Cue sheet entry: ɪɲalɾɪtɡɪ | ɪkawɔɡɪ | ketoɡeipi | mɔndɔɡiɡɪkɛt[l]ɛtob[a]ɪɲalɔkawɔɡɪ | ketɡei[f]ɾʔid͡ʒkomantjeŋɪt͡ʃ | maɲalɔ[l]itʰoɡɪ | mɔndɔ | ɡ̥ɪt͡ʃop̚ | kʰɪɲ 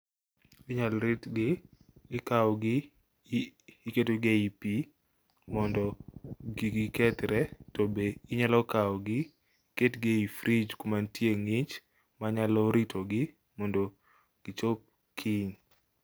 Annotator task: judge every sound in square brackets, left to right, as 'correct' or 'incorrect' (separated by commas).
incorrect, incorrect, correct, incorrect